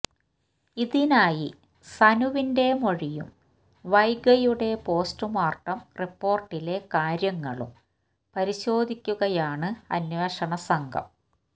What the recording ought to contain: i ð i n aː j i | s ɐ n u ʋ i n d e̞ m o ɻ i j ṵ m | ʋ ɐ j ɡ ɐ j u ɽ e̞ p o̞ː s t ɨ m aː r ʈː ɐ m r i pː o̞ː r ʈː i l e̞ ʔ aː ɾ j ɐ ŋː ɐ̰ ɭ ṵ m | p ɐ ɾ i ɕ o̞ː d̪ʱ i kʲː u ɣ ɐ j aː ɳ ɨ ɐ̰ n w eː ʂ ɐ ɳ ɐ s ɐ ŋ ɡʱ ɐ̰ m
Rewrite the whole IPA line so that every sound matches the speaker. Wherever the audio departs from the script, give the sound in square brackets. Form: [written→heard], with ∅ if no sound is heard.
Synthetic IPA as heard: i ð i n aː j i | s ɐ n u ʋ i n d e̞ m o ɻ i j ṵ m | ʋ ɐ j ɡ ɐ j u ɽ e̞ p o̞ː s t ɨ m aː r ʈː ɐ m r i pː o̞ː r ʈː i l e̞ [ʔ→k] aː ɾ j ɐ ŋː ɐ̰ ɭ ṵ m | p ɐ ɾ i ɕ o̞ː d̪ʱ i kʲː u ɣ ɐ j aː ɳ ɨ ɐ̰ n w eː ʂ ɐ ɳ ɐ s ɐ ŋ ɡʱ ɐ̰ m